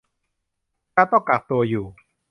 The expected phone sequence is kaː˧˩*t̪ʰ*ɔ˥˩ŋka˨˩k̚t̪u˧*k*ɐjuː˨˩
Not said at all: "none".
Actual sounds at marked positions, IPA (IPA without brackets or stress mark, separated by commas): t̪, none